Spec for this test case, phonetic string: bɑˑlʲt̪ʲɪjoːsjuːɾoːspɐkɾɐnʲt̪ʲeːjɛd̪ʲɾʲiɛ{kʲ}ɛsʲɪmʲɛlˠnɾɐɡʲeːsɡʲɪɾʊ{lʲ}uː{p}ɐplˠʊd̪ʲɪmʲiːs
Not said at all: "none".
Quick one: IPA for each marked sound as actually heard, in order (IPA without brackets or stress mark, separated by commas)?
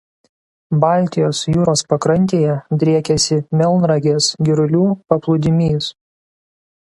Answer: kʲ, lʲ, p